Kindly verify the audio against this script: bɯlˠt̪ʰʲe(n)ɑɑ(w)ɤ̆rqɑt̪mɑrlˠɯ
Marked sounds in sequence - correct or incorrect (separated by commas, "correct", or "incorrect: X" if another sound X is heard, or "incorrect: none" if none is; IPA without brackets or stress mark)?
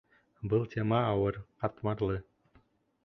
incorrect: m, correct